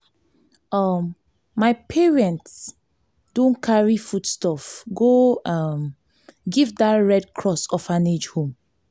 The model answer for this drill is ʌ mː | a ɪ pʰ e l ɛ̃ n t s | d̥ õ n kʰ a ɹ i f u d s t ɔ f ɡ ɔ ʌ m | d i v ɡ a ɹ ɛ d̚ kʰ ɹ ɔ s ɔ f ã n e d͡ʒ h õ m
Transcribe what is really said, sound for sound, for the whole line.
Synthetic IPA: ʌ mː | a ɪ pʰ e ɹ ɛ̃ n t s | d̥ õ n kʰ a ɹ i f u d s t ɔ f ɡ o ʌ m | ɡ i v d a ɹ ɛ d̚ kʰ ɹ ɔ s ɔ f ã n e d͡ʒ h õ m